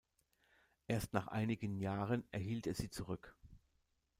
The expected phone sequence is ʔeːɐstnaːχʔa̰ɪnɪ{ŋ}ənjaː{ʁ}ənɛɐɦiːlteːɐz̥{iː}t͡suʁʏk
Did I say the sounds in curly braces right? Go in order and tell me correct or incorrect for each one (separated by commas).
incorrect, correct, correct